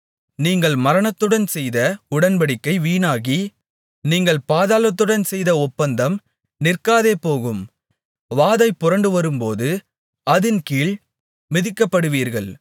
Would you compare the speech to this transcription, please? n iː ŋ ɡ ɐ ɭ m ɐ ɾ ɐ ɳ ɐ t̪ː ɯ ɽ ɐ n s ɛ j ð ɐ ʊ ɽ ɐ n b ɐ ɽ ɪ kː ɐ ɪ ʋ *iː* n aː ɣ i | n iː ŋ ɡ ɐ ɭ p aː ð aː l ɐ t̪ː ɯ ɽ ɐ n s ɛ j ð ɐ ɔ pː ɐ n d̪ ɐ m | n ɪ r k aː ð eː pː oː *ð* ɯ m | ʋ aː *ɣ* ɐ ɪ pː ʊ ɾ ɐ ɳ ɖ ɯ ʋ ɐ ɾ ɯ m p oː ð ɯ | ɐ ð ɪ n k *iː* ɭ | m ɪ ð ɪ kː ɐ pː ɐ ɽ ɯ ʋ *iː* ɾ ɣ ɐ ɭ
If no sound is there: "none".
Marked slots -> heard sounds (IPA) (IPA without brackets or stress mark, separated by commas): iː, ɣ, ð, iː, iː